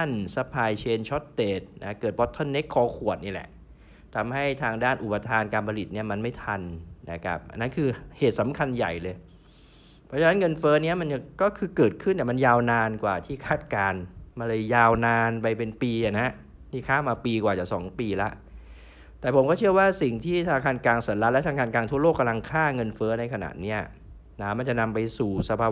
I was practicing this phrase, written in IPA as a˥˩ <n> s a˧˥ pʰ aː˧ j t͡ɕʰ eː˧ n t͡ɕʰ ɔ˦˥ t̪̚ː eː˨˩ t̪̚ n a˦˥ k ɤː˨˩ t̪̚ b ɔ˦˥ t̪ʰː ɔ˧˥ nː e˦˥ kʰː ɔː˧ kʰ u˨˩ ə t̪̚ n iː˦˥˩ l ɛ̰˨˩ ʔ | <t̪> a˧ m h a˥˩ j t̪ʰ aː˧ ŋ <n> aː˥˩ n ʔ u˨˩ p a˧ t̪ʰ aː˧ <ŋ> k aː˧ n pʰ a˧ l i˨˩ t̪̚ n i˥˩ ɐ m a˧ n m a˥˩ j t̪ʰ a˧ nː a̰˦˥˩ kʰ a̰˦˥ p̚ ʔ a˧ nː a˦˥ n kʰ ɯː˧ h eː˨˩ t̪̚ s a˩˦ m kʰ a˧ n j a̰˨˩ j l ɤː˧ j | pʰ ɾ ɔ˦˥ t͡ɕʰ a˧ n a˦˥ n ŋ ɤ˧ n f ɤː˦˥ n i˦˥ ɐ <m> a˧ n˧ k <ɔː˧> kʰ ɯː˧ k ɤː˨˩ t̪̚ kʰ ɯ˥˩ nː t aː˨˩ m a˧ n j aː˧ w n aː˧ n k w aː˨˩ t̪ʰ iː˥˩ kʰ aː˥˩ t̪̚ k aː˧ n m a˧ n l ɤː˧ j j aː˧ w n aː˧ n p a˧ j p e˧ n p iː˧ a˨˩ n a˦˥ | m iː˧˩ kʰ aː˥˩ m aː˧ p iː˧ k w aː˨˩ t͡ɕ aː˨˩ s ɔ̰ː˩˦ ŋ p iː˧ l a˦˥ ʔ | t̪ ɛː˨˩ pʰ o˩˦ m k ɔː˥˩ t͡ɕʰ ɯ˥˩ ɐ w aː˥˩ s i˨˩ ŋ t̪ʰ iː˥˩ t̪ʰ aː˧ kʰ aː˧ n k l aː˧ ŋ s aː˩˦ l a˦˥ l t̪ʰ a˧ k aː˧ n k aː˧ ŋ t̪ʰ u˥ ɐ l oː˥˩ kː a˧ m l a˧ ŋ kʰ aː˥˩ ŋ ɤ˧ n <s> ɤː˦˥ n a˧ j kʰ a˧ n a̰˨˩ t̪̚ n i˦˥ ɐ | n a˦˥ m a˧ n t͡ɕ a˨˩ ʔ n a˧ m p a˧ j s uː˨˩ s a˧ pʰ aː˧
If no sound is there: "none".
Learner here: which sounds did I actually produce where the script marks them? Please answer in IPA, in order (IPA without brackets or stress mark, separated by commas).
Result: n, t̪ʰ, d, n, m, ɔː˥˩, f